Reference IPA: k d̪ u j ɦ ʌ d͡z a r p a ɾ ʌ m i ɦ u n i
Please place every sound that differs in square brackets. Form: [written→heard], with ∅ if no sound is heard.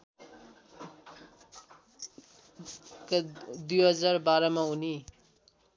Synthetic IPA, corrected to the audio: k d̪ u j ɦ ʌ d͡z a r [p→b] a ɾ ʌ m [i→a] ɦ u n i